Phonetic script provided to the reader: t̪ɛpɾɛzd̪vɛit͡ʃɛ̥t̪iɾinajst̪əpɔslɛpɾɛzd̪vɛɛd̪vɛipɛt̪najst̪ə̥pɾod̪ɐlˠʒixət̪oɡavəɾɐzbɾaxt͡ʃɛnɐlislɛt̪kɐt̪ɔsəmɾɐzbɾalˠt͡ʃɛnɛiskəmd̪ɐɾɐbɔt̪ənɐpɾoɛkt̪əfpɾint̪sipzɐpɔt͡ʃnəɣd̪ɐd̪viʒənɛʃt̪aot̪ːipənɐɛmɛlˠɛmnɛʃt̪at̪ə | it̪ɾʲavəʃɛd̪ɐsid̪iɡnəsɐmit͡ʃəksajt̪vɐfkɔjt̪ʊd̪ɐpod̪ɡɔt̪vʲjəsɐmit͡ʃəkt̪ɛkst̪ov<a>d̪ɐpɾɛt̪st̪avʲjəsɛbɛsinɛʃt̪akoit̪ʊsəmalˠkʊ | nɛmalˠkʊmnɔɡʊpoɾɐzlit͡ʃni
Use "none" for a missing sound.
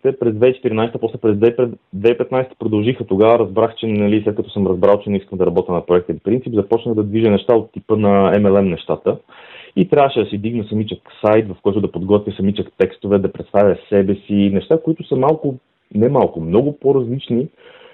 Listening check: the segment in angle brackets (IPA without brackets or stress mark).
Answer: ɛ